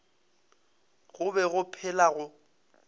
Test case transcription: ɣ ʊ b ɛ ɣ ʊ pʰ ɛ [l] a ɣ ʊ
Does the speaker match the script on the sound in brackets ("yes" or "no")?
yes